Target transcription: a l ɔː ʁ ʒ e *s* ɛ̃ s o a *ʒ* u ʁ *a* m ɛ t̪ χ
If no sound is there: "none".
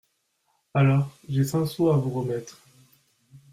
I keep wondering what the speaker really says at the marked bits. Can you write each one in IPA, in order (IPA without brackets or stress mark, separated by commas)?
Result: s, v, ə